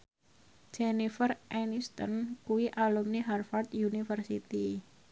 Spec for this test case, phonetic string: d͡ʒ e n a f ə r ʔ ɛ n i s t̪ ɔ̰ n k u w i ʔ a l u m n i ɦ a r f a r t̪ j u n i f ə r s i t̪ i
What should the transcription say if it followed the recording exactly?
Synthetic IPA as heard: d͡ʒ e n i f ə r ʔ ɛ n i s t̪ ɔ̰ n k u w i ʔ a l u m n i ɦ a r f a r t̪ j u n i f ə r s i t̪ i